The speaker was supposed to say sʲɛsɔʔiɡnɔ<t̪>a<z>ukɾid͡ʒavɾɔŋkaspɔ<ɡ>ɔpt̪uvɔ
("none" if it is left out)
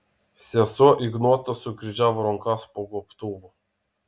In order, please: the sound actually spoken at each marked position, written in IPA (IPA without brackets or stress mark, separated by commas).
t̪, s, ɡ